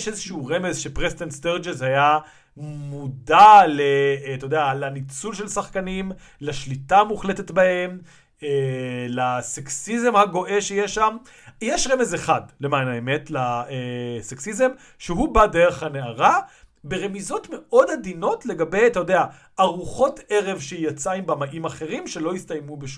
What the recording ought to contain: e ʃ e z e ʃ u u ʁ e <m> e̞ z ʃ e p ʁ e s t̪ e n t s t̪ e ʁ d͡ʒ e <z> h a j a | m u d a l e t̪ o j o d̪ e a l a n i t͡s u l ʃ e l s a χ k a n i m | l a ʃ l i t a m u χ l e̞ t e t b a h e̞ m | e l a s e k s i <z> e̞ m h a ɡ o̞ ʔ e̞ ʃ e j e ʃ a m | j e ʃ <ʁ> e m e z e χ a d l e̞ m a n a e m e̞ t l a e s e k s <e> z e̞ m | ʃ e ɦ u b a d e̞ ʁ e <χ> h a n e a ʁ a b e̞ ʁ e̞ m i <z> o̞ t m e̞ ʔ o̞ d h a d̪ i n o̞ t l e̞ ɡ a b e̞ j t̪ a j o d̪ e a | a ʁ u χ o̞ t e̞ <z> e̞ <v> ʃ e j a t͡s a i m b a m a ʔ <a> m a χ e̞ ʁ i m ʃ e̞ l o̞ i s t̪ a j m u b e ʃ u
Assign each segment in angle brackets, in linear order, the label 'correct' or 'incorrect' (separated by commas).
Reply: correct, correct, correct, correct, incorrect, correct, correct, incorrect, correct, incorrect